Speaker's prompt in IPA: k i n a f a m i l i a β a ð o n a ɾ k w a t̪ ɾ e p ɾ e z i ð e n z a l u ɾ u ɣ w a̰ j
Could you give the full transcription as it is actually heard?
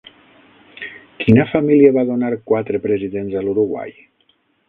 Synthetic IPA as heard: k i n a f a m i l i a β a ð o n a ɾ k w a t̪ ɾ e p ɾ e z i ð e n z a l u ɾ u ɣ w a̰ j